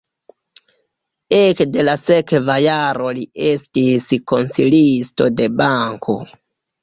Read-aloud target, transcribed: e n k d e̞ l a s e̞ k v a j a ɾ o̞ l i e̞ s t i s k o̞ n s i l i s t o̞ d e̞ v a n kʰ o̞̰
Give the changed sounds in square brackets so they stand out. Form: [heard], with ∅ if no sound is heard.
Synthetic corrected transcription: e [∅] k d e̞ l a s e̞ k v a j a ɾ o̞ l i e̞ s t i s k o̞ n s i l i s t o̞ d e̞ [b] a [ŋ] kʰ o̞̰

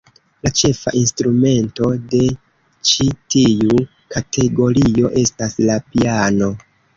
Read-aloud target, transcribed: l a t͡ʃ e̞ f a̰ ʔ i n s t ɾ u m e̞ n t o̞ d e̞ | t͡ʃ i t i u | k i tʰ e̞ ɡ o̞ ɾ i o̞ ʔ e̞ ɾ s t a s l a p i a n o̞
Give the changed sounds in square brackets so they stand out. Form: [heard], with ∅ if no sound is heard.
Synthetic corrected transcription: l a t͡ʃ e̞ f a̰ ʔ i n s t ɾ u m e̞ n t o̞ d e̞ | t͡ʃ i t i u | k [a] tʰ e̞ ɡ o̞ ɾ i o̞ ʔ e̞ [∅] s t a s l a p i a n o̞

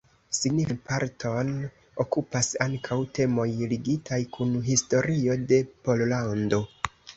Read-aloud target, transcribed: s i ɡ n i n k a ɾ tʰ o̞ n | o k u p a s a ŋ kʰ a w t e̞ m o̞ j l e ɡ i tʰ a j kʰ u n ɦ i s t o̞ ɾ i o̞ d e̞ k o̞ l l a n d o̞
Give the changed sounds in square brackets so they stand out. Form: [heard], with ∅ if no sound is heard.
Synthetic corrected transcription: s i ɡ n i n [p] a ɾ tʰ o̞ n | o k u p a s a ŋ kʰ a w t e̞ m o̞ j l [i] ɡ i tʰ a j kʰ u n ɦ i s t o̞ ɾ i o̞ d e̞ [p] o̞ l l a n d o̞

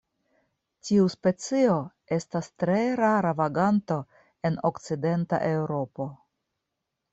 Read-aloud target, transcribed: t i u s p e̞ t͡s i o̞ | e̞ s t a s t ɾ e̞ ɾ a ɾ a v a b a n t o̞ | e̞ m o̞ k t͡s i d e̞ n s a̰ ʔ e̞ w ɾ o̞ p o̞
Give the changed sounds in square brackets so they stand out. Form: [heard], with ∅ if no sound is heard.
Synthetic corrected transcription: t i u s p e̞ t͡s i o̞ | e̞ s t a s t ɾ e̞ ɾ a ɾ a v a [ɡ] a n t o̞ | e̞ [n] o̞ k t͡s i d e̞ n [t] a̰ ʔ e̞ w ɾ o̞ p o̞

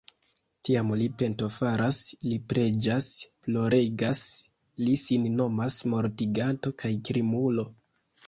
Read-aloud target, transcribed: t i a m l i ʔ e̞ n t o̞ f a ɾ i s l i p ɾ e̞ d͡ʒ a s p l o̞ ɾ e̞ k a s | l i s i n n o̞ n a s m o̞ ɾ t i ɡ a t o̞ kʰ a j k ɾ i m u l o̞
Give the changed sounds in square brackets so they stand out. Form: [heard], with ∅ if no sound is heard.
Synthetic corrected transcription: t i a m l i [p] e̞ n t o̞ f a ɾ [a] s l i p ɾ e̞ d͡ʒ a s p l o̞ ɾ e̞ [ɡ] a s | l i s i n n o̞ [m] a s m o̞ ɾ t i ɡ a t o̞ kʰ a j k ɾ i m u l o̞

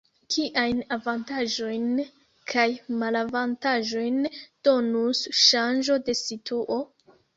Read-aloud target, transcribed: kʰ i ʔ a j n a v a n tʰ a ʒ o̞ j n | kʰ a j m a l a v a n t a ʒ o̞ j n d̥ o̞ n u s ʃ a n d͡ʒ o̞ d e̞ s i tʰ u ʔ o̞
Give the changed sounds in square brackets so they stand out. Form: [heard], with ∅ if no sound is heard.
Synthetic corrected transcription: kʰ i ʔ a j n a v a n [t] a ʒ o̞ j n | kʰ a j m a l a v a n t a ʒ o̞ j n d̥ o̞ n u s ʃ a n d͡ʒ o̞ d e̞ s i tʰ u ʔ o̞

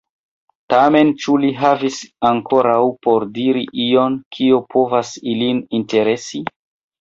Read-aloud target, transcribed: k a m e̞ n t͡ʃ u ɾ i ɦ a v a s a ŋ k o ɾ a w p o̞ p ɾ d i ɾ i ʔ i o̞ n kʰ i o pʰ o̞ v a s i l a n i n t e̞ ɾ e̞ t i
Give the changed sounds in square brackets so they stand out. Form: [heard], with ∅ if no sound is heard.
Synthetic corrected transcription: [t] a m e̞ n t͡ʃ u [l] i ɦ a v [i] s a ŋ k o ɾ a w p o̞ [∅] ɾ d i ɾ i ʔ i o̞ n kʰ i o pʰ o̞ v a s i l [i] n i n t e̞ ɾ e̞ [s] i

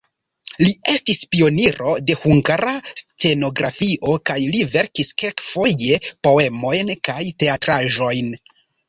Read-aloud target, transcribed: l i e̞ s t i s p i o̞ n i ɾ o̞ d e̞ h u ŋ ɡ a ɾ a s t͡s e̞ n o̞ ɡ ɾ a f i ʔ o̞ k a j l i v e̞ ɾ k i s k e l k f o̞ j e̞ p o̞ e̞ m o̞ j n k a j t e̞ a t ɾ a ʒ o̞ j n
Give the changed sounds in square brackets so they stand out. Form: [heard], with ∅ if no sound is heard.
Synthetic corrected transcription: l i e̞ s t i s p i o̞ n i ɾ o̞ d e̞ h u ŋ ɡ a ɾ a s t͡s e̞ n o̞ ɡ ɾ a f i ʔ o̞ k a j l i v e̞ ɾ k i s k e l k f o̞ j e̞ p o̞ e̞ m o̞ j n k a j t e̞ a t ɾ a ʒ o̞ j n

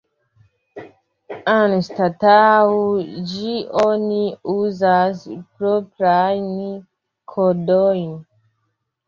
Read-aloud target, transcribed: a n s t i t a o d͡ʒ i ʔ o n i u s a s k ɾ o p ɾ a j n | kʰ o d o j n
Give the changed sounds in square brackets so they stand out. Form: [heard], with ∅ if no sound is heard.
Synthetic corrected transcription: a n s t [a] t a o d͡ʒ i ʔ o n i u [z] a s [p] ɾ o p ɾ a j n | kʰ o d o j n

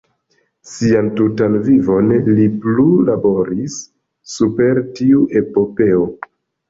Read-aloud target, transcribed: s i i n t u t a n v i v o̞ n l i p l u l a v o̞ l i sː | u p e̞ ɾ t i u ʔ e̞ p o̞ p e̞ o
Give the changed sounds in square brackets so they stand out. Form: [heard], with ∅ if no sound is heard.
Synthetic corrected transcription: s i [a] n t u t a n v i v o̞ n l i p l u l a [b] o̞ [ɾ] i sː | u p e̞ ɾ t i u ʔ e̞ p o̞ p e̞ o

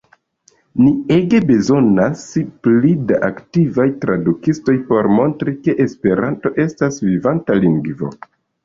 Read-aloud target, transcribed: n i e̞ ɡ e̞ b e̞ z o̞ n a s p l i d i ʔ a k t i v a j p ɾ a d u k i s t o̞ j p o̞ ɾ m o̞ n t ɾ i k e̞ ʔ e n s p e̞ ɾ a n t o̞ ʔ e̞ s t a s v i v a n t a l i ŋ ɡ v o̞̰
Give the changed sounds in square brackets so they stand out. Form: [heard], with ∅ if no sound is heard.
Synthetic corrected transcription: n i e̞ ɡ e̞ b e̞ z o̞ n a s p l i d [a] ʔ a k t i v a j [t] ɾ a d u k i s t o̞ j p o̞ ɾ m o̞ n t ɾ i k e̞ ʔ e [∅] s p e̞ ɾ a n t o̞ ʔ e̞ s t a s v i v a n t a l i ŋ ɡ v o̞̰

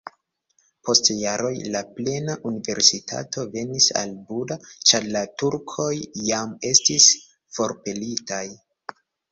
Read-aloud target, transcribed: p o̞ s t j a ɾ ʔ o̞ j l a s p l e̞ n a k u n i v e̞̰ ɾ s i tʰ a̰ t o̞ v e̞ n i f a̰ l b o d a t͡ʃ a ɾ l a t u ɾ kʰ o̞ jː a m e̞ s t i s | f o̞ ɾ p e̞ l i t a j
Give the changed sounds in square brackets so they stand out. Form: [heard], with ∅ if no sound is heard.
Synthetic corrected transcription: p o̞ s t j a ɾ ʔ o̞ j l a [∅] p l e̞ n a [ʔ] u n i v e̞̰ ɾ s i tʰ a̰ t o̞ v e̞ n i [s] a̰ l b [u] d a t͡ʃ a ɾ l a t u ɾ kʰ o̞ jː a m e̞ s t i s | f o̞ ɾ p e̞ l i t a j

